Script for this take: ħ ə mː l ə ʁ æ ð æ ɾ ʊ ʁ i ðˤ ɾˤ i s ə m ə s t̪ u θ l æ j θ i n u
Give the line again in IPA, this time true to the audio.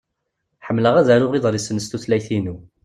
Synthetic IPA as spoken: ħ ə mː l ə ʁ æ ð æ ɾ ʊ ʁ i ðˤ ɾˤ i s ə n ə s t̪ u θ l æ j θ i n u